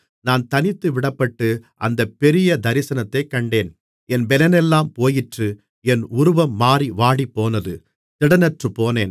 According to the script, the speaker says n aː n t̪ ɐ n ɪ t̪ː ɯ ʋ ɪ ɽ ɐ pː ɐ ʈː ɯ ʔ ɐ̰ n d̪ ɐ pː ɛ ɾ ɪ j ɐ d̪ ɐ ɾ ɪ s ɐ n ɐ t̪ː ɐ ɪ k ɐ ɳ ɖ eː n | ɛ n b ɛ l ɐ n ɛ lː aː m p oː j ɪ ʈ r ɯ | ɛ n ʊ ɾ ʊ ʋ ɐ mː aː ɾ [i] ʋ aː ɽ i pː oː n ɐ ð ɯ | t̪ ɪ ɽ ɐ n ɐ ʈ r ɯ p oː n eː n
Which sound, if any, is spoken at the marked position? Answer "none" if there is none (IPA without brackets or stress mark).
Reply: i